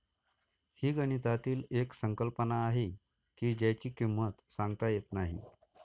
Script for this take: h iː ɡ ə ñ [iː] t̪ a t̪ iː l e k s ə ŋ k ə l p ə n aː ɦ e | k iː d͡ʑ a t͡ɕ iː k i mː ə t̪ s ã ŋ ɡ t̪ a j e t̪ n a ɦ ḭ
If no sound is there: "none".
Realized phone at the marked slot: i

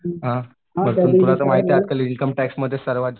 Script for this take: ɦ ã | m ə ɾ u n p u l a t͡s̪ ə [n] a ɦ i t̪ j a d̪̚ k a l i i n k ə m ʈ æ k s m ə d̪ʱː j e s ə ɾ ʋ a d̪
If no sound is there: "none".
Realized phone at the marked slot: m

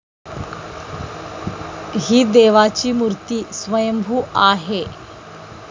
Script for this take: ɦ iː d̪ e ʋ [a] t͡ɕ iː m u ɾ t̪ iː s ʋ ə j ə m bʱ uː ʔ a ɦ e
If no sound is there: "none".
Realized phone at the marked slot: a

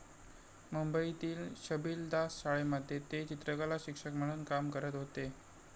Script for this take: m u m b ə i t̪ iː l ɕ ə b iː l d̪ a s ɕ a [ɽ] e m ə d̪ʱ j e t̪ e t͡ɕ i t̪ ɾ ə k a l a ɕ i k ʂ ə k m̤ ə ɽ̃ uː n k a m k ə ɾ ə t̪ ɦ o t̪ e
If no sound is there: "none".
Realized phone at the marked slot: ɭ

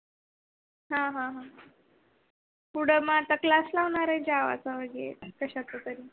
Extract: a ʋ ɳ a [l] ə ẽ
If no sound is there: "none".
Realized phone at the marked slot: ɾ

